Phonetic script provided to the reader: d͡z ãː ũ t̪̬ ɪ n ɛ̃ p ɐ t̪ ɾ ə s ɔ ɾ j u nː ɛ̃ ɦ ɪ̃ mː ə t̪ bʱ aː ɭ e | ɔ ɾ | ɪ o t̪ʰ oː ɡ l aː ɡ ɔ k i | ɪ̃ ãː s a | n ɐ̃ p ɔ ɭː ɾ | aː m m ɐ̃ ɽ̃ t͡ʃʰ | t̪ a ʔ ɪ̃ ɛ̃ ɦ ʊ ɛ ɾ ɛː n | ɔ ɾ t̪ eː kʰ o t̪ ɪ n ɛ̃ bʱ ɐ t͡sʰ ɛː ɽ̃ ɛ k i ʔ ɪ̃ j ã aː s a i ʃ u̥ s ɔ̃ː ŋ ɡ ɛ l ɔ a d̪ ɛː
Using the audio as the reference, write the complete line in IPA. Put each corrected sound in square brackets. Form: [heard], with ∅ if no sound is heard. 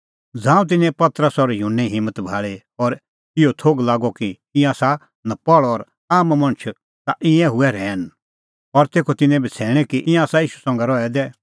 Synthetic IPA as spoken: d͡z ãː ũ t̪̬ ɪ n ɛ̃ p ɐ t̪ ɾ ə s ɔ ɾ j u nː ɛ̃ ɦ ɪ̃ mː ə t̪ bʱ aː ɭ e | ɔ ɾ | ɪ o t̪ʰ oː ɡ l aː ɡ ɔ k i | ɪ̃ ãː s a | n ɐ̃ p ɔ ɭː ɾ | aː m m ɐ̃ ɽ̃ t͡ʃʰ | t̪ a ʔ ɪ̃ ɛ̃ ɦ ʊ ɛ ɾ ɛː n | ɔ ɾ t̪ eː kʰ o t̪ ɪ n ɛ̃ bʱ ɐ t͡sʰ ɛː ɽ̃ ɛ k i ʔ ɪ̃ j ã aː s a [iː] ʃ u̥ s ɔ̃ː ŋ ɡ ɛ [ɾ] ɔ [ɛ] d̪ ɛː